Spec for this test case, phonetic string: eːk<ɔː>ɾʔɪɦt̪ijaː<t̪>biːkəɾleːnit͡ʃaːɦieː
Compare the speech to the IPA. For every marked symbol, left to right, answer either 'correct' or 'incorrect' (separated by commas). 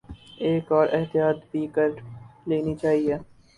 correct, correct